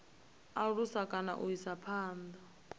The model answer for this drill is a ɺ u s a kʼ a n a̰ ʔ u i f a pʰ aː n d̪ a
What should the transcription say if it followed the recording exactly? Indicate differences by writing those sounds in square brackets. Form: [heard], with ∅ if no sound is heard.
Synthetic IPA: a ɺ u s a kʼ a n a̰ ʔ u i [s] a pʰ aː n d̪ a